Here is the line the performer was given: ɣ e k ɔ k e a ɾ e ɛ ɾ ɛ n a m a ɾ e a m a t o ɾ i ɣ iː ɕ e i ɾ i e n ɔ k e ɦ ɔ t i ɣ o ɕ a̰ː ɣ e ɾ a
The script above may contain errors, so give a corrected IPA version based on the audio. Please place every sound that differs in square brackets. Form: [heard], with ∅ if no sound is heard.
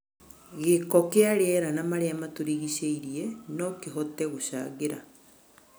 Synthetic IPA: ɣ e k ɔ k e a ɾ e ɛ ɾ [a] n a m a ɾ e a m a t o ɾ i ɣ [i] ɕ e i ɾ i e n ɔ k e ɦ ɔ t [ɛ] ɣ o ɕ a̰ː ɣ e ɾ a